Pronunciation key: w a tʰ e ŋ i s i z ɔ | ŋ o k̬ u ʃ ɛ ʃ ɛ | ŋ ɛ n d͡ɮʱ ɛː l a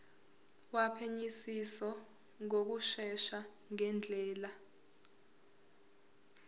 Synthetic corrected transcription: w a pʰ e ɲ i s i s ɔ | ŋ o k̬ u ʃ ɛ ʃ a | ŋ ɛ n d͡ɮʱ ɛː l a